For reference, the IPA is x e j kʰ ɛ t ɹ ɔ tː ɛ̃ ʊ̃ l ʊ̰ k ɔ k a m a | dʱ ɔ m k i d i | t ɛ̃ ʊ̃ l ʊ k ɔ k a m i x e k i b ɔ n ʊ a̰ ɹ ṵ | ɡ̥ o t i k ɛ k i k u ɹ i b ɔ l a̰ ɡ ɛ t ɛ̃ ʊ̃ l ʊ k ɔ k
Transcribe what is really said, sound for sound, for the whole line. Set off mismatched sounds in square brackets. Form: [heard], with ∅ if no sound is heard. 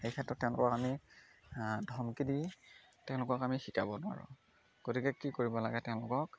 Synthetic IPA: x e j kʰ ɛ t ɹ ɔ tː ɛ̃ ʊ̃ l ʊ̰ k ɔ k a m [i] | dʱ ɔ m k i d i | t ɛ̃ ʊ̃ l ʊ k ɔ k a m i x [i] k [a] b ɔ n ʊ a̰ ɹ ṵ | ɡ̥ o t i k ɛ k i k [o] ɹ i b ɔ l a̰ ɡ ɛ t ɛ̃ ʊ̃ l ʊ k ɔ k